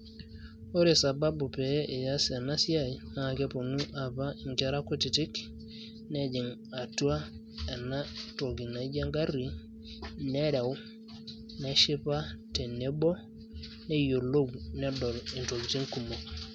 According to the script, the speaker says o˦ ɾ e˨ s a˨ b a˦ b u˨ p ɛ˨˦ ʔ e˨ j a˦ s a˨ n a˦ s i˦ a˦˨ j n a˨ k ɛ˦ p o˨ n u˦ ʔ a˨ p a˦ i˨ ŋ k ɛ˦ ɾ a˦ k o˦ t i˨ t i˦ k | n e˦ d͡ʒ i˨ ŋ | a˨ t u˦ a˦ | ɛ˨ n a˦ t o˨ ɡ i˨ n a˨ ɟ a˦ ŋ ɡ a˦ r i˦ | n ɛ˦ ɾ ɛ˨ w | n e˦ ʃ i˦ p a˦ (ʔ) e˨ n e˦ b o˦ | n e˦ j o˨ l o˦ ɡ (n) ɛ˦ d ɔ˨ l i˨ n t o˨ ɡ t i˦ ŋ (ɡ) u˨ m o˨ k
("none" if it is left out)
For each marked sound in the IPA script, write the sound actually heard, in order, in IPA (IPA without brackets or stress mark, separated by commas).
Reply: t, n, k